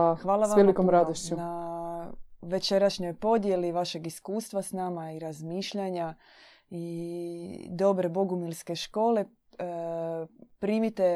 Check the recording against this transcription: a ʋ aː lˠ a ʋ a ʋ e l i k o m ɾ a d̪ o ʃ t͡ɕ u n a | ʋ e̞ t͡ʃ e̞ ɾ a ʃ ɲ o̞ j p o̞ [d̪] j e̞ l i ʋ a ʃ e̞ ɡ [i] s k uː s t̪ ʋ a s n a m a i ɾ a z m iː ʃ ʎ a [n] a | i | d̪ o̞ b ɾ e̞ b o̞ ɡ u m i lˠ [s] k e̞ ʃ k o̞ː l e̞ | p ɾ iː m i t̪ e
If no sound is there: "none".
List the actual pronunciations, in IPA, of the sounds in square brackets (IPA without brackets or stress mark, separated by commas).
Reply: d̪, i, ɲ, s